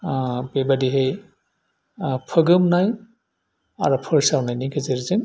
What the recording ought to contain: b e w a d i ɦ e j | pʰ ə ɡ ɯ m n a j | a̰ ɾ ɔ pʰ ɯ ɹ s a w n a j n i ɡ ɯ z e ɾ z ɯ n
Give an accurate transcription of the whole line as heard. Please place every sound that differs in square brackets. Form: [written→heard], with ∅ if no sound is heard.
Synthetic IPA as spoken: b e [w→b] a d i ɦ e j | pʰ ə ɡ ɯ m n a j | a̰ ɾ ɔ pʰ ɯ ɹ s a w n a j n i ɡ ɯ z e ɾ z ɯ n